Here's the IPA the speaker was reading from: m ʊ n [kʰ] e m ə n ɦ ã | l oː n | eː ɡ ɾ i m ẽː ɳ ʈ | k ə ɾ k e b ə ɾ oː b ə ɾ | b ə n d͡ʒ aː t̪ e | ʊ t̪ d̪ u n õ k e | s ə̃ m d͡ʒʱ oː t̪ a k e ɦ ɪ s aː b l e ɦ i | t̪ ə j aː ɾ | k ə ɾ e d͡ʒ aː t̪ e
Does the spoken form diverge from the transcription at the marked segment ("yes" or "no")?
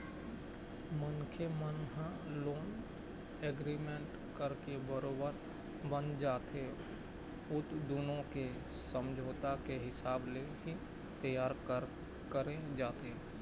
no